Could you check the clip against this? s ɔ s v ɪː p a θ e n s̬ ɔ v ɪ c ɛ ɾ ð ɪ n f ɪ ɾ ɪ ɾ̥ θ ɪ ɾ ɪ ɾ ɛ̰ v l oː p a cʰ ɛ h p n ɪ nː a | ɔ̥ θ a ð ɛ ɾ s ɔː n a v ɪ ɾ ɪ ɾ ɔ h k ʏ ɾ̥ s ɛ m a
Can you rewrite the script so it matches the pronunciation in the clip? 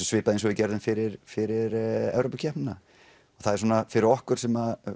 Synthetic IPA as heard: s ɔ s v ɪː p a ð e n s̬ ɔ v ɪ c ɛ ɾ ð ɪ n f ɪ ɾ ɪ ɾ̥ f ɪ ɾ ɪ ɾ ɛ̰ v ɾ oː p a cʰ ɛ h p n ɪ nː a | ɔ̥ θ a ð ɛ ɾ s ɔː n a f ɪ ɾ ɪ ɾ ɔ h k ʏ ɾ̥ s ɛ m a